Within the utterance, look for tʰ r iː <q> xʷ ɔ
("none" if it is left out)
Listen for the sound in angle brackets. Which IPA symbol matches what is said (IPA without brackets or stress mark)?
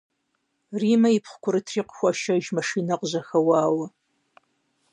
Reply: q